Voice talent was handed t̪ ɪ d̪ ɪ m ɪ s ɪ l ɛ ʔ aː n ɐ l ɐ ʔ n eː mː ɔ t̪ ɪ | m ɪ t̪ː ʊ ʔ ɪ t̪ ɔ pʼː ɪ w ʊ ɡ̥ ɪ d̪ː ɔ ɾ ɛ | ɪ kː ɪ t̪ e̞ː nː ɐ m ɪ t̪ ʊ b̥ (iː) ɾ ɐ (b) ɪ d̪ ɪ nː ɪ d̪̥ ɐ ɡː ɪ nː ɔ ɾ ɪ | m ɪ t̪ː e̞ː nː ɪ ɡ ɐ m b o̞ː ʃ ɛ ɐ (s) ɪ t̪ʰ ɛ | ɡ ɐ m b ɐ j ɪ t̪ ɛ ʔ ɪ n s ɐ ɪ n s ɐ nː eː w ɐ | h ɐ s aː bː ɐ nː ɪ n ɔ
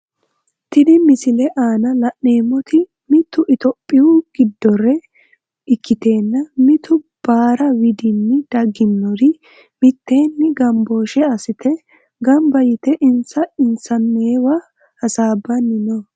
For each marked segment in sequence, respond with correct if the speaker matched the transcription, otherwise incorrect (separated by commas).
incorrect, incorrect, correct